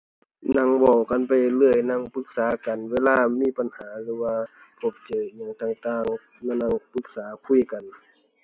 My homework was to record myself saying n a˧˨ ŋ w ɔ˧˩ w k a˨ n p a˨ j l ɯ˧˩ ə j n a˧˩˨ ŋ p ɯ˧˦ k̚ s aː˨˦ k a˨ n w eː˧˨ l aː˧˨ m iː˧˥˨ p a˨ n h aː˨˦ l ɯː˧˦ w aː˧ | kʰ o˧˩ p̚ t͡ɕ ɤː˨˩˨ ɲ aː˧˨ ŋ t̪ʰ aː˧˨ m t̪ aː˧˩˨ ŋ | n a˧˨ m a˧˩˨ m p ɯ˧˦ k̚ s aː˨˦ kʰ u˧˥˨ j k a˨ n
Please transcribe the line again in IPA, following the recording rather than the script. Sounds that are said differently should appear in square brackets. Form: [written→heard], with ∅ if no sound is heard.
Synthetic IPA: n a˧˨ ŋ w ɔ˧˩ w k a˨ n p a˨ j l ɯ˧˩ ə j n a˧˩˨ ŋ p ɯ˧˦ k̚ s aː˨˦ k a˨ n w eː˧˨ l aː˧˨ m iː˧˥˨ p a˨ n h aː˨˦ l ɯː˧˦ w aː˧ | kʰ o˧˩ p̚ t͡ɕ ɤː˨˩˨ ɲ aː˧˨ ŋ [t̪ʰ→t̪] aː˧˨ [m→ŋ] t̪ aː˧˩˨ ŋ | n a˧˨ [m→n] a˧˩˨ [m→ŋ] p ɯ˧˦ k̚ s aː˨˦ kʰ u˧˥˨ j k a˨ n